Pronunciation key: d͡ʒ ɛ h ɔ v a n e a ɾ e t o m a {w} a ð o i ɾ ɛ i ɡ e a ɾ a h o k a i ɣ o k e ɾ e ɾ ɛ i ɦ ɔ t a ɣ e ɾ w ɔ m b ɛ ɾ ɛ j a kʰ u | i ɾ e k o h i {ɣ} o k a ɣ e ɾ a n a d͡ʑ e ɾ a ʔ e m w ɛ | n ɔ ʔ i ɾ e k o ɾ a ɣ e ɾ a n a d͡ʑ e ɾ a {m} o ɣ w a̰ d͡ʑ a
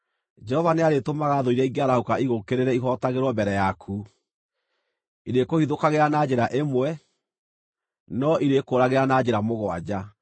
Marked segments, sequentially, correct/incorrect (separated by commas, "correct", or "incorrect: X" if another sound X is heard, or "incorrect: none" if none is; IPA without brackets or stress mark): incorrect: ɣ, incorrect: ð, correct